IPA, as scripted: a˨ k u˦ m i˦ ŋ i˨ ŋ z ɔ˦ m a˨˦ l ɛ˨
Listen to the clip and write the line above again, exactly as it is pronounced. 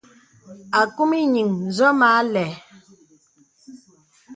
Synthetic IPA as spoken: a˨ k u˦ m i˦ ɲ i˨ ŋ z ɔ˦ m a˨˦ l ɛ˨